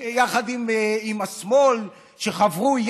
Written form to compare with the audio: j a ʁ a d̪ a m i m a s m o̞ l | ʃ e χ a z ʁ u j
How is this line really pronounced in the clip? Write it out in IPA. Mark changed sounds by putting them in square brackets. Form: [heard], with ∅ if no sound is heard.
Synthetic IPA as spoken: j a [χ] a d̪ [i] m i m a s m o̞ l | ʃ e χ a [v] ʁ u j